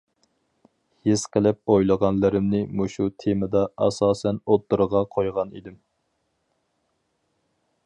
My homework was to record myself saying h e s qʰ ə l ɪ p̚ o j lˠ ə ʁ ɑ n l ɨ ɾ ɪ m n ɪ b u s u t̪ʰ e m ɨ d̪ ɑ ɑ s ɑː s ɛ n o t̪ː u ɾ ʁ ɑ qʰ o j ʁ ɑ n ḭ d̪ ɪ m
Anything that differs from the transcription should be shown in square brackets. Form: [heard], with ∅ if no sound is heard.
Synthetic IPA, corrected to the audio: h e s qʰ ə l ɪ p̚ o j lˠ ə ʁ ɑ n l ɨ ɾ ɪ m n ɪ [m] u [ʃ] u t̪ʰ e m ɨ d̪ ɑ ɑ s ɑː s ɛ n o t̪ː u ɾ ʁ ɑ qʰ o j ʁ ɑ n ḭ d̪ ɪ m